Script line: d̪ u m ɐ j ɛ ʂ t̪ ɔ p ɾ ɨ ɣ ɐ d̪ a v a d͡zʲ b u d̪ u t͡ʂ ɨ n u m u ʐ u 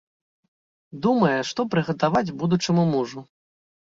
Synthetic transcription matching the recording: d̪ u m ɐ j ɛ ʂ t̪ ɔ p ɾ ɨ ɣ ɐ t̪ a v a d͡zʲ b u d̪ u t͡ʂ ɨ m u m u ʐ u